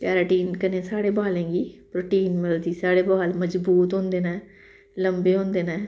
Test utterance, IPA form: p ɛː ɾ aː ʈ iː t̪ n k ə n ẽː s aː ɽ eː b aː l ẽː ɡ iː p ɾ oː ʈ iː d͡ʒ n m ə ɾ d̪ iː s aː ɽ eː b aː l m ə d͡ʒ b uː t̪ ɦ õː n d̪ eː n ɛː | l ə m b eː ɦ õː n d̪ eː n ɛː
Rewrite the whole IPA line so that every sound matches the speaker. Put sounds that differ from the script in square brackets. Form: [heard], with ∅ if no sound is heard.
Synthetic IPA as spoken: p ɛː ɾ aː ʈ iː [∅] n k ə n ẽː s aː ɽ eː b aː l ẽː ɡ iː p ɾ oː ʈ iː [∅] n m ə [l] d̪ iː s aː ɽ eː b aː l m ə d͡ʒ b uː t̪ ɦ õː n d̪ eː n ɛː | l ə m b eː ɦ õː n d̪ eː n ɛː